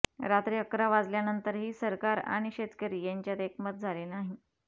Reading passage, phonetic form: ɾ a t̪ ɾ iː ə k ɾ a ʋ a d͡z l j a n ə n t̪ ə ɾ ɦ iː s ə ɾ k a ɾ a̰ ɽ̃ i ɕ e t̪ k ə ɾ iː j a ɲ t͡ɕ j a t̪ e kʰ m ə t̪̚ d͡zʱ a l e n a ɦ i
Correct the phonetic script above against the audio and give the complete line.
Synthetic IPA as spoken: ɾ a t̪ ɾ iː ə k ɾ a ʋ a d͡z l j a n ə n t̪ ə ɾ ɦ iː s ə ɾ k a ɾ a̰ ɽ̃ i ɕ e t̪ k ə ɾ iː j a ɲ t͡ɕ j a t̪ e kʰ m ə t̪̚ d͡zʱ a l e n a ɦ i